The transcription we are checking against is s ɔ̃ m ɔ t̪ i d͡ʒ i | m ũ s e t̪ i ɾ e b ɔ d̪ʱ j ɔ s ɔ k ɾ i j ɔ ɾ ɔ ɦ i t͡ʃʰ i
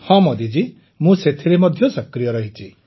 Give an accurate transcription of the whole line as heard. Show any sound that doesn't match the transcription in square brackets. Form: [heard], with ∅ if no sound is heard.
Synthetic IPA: [h] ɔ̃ m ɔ [d̪] i d͡ʒ i | m ũ s e [t̪ʰ] i ɾ e [m] ɔ d̪ʱ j ɔ s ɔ k ɾ i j ɔ ɾ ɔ ɦ i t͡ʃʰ i